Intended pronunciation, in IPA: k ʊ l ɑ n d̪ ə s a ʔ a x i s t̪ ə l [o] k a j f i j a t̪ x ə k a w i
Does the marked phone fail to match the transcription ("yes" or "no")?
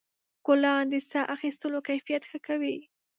no